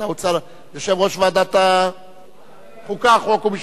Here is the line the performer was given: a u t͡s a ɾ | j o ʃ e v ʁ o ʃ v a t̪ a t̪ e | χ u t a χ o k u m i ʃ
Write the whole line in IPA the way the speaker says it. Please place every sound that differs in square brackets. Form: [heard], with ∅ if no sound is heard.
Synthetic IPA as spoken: a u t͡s a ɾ | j o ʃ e v ʁ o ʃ v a [d̪] a t̪ [a] | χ u [k] a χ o k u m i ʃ